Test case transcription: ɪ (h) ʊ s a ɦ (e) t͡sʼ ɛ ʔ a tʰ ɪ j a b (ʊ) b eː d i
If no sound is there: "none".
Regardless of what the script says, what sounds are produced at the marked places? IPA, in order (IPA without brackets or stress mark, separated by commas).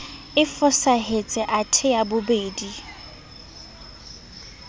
f, e, ʊ